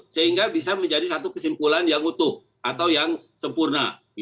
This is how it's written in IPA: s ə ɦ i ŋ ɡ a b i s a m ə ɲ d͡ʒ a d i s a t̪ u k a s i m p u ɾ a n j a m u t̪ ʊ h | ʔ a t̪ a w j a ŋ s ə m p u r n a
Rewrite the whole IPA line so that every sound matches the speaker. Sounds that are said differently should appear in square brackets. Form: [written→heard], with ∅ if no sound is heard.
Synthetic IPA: s ə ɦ i ŋ ɡ a b i s a m ə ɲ d͡ʒ a d i s a t̪ u k [a→ə] s i m p u [ɾ→l] a n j a [m→ŋ] u t̪ ʊ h | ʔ a t̪ a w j a ŋ s ə m p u r n a